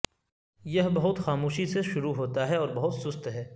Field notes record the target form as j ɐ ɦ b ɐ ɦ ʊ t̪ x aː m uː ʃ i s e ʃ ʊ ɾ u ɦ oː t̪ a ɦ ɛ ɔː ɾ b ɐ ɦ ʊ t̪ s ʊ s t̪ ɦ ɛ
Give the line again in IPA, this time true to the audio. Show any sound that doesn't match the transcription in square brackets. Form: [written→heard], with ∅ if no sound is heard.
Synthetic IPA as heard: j ɐ ɦ b ɐ ɦ ʊ t̪ x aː m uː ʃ i s e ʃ ʊ ɾ u ɦ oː t̪ a ɦ ɛ ɔː ɾ b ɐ ɦ ʊ t̪ s ʊ s t̪ ɦ [ɛ→ɛː]